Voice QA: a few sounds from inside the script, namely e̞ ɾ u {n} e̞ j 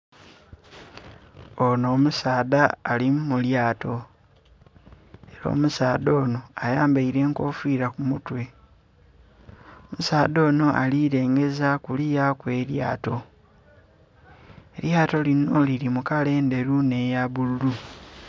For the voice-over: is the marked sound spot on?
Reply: yes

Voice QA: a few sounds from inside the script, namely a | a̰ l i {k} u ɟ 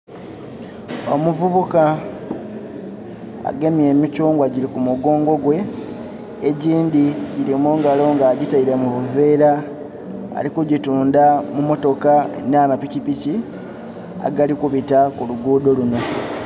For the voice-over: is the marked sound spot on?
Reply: yes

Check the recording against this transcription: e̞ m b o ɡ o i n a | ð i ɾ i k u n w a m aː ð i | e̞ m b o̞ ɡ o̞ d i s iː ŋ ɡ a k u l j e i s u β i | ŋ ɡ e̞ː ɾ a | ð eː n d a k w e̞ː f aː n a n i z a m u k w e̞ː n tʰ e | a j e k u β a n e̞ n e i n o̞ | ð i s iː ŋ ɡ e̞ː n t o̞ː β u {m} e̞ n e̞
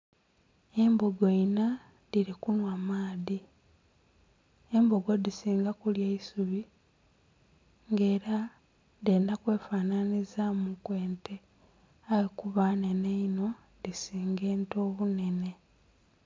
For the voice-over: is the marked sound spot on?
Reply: no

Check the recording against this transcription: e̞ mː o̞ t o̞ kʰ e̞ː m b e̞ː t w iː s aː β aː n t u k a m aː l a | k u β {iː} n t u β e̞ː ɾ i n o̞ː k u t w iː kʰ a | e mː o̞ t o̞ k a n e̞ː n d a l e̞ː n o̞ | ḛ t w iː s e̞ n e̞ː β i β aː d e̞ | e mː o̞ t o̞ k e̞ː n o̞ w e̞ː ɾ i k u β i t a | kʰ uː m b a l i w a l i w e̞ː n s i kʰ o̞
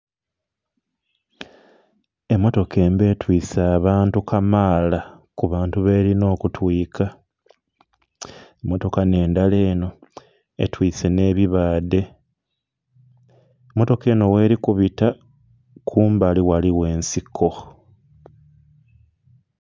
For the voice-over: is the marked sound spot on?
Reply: no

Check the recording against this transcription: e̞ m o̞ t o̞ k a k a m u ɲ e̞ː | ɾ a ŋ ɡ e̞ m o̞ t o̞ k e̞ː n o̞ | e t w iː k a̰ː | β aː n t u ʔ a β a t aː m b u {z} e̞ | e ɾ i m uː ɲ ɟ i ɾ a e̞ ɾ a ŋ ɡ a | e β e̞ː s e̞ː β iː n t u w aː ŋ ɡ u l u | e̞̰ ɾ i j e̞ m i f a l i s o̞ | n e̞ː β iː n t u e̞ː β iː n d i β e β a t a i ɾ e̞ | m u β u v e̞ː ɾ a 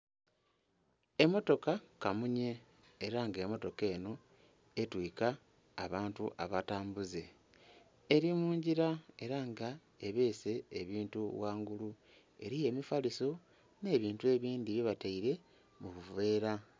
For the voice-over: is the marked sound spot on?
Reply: yes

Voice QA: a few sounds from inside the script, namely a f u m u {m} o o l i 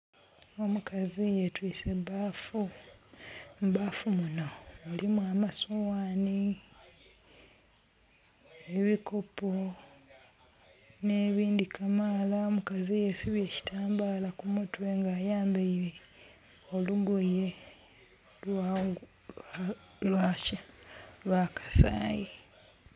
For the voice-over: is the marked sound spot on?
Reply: no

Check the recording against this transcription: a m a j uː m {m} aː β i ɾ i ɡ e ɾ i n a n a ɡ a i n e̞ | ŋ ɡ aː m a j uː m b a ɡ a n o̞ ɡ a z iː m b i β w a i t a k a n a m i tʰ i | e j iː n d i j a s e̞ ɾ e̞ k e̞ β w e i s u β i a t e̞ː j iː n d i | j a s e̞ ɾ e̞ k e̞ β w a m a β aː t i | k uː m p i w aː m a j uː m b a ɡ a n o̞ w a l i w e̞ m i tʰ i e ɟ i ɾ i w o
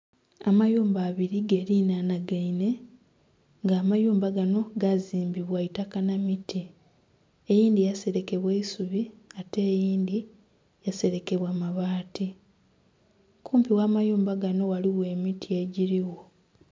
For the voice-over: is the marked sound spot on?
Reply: no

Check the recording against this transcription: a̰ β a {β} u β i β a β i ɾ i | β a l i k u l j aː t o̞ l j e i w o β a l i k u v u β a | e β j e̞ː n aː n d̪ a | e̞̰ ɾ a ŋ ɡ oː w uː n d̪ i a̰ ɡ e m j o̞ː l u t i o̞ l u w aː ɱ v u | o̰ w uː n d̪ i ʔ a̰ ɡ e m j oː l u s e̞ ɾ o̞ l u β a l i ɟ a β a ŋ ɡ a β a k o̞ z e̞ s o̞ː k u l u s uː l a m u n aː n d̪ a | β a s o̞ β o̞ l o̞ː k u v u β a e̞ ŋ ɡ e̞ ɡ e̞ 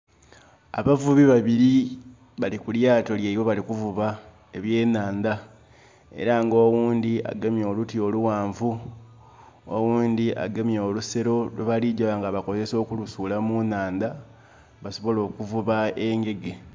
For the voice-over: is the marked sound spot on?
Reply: no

